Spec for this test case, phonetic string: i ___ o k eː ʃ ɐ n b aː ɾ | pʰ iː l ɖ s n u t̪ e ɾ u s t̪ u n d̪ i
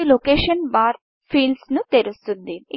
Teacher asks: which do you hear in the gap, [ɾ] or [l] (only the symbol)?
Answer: l